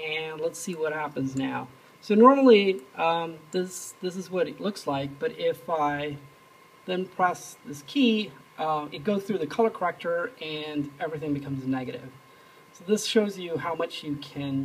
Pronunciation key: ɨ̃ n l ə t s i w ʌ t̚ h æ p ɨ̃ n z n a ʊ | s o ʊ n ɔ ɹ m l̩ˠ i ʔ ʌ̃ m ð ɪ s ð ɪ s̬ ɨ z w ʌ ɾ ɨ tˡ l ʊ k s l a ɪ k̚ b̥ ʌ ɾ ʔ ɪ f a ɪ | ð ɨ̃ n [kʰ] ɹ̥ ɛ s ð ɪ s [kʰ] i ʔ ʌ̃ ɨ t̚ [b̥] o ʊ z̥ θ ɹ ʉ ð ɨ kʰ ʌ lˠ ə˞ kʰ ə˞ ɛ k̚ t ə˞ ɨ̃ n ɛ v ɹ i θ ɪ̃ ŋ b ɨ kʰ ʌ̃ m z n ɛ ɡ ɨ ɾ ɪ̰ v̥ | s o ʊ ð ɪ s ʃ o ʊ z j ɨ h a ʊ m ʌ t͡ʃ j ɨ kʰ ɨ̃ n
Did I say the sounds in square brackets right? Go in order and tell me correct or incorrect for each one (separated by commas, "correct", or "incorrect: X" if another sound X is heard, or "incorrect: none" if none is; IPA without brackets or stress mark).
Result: incorrect: pʰ, correct, incorrect: ɡ̥